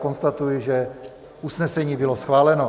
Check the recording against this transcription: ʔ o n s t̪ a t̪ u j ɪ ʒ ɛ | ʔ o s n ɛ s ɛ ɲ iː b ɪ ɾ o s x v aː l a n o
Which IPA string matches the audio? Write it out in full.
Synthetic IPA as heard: k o n s t̪ a t̪ u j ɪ ʒ ɛ | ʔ u s n ɛ s ɛ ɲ iː b ɪ l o s x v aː l ɛ n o